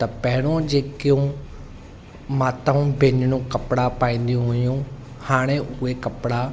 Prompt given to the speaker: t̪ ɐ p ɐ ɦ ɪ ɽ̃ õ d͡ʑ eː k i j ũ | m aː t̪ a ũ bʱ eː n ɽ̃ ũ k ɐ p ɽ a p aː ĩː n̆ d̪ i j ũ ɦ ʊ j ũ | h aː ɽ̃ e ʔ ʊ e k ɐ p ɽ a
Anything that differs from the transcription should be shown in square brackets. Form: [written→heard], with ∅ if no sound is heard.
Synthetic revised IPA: t̪ ɐ p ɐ ɦ ɪ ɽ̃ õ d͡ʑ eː k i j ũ | m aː t̪ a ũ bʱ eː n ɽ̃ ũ k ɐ p ɽ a p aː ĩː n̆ d̪ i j ũ ɦ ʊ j ũ | h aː ɽ̃ e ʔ ʊ e k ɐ p ɽ a